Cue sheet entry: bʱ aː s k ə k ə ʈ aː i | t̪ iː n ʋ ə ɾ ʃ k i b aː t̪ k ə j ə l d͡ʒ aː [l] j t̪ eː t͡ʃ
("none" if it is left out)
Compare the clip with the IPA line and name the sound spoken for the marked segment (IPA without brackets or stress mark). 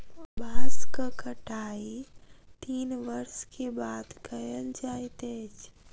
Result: none